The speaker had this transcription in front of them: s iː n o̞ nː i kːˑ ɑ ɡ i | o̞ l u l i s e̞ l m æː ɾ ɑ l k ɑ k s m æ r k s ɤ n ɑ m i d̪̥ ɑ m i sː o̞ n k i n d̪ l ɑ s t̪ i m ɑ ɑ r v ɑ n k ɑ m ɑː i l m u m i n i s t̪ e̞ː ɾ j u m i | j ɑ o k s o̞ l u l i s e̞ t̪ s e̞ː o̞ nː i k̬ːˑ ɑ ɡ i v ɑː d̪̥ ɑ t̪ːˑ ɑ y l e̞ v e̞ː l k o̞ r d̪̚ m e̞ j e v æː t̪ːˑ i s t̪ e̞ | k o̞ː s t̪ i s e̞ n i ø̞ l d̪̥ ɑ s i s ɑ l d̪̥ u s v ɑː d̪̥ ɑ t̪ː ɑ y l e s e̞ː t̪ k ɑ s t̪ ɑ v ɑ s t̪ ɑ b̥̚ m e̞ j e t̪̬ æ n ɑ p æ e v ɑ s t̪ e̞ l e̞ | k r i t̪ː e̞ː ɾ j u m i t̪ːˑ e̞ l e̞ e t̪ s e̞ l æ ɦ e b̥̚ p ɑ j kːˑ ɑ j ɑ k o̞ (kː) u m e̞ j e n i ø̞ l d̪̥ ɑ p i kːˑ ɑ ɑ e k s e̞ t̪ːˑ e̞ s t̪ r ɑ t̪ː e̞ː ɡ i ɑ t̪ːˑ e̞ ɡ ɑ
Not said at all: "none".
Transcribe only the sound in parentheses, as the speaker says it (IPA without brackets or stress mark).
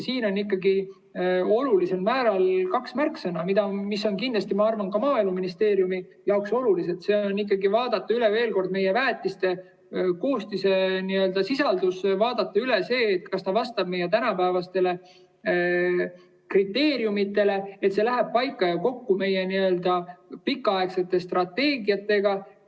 kː